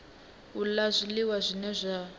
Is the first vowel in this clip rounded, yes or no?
yes